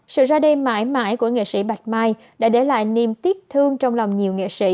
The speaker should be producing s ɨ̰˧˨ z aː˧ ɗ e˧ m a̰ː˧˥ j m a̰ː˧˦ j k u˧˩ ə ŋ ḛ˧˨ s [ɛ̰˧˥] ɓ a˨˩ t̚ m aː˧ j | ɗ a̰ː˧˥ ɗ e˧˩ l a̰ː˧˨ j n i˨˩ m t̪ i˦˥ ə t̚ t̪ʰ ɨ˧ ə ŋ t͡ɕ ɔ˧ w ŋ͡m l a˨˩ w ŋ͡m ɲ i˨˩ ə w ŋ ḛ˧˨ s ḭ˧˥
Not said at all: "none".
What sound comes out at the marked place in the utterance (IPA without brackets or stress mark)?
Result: ḭ˧˥